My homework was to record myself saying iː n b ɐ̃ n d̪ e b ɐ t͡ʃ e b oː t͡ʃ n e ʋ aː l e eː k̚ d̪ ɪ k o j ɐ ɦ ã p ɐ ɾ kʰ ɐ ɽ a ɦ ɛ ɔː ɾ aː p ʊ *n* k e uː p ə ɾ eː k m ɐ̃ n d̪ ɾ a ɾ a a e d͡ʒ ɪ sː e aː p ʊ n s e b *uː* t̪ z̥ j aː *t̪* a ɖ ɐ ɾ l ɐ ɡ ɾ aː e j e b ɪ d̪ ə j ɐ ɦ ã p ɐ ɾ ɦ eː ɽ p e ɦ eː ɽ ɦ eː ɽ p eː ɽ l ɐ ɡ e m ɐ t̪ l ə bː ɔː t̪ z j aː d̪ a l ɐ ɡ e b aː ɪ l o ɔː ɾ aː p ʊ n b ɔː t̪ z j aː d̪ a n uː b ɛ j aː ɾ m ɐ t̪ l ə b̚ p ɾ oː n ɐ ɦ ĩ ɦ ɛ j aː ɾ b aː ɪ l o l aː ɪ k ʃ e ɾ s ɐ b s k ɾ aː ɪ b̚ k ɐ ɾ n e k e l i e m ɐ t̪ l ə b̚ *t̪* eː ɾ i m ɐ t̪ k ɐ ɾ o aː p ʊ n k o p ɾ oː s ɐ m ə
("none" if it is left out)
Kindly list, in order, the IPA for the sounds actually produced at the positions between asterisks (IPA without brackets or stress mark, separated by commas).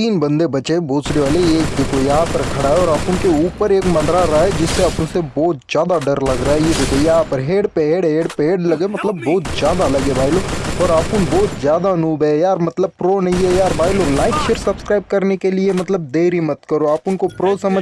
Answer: n, ɔː, d̪, d̪